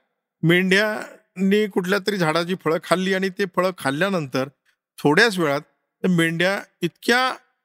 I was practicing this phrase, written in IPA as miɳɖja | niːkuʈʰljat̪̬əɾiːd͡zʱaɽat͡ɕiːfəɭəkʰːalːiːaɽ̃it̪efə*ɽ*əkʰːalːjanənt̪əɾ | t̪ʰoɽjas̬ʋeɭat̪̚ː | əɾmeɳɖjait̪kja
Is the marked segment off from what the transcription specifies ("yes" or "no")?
yes